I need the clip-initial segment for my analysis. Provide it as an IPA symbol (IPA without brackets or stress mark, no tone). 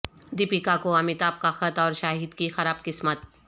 d̪